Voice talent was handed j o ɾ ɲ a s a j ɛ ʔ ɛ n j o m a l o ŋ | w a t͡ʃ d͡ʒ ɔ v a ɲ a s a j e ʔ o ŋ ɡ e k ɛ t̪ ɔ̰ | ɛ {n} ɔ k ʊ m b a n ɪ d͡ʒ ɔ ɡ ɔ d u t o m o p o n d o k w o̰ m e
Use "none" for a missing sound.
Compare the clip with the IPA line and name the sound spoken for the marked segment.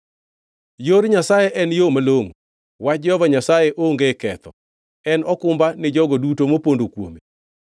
n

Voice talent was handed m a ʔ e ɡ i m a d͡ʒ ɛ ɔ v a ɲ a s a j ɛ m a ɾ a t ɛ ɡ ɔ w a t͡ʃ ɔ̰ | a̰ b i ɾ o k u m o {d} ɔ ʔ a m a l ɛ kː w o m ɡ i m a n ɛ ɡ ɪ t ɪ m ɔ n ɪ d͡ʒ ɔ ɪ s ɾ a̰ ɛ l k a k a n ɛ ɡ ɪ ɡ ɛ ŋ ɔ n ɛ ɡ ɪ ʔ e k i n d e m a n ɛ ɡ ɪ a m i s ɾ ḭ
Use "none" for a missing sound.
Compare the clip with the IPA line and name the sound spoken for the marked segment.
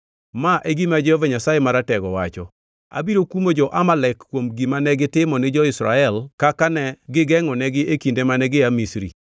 d͡ʒ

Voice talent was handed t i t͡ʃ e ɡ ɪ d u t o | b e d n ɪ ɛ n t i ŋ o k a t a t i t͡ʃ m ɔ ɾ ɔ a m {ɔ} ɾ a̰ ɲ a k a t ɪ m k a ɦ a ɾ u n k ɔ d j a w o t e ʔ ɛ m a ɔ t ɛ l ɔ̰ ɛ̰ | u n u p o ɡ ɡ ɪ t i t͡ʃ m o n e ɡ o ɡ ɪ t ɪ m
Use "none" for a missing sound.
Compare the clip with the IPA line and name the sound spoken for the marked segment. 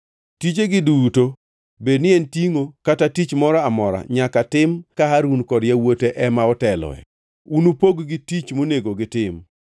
ɔ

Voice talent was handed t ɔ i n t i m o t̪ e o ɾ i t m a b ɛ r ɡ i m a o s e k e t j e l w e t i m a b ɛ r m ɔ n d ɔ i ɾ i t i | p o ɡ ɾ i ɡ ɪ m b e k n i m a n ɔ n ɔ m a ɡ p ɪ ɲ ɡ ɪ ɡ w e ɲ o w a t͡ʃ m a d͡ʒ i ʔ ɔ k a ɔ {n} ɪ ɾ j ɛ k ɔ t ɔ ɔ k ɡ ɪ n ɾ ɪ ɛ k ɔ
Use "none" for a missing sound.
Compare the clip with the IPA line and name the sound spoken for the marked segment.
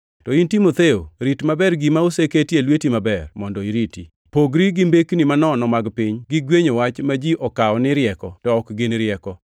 n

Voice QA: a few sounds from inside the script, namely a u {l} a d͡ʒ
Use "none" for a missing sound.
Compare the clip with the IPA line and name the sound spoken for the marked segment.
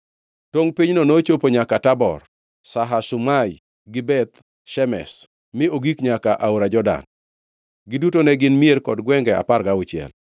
ɾ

